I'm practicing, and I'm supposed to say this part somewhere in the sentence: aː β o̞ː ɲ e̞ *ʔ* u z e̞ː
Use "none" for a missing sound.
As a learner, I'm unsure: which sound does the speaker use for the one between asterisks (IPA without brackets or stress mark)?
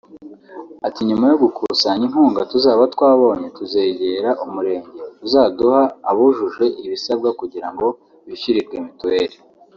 t